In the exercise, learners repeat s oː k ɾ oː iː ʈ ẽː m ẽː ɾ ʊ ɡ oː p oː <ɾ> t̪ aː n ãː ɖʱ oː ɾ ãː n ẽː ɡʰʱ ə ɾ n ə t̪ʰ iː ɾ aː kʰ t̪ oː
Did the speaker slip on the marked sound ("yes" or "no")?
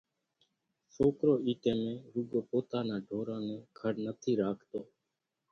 yes